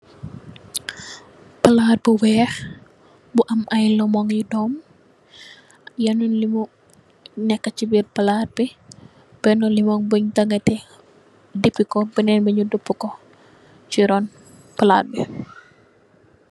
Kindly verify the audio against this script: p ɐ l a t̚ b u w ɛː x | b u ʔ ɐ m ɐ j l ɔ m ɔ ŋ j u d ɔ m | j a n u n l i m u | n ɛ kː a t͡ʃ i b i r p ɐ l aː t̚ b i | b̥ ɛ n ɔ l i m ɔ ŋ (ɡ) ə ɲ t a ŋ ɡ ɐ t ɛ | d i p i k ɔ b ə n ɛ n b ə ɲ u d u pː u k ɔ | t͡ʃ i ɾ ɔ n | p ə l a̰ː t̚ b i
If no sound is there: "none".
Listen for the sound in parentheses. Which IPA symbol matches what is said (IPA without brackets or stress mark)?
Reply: b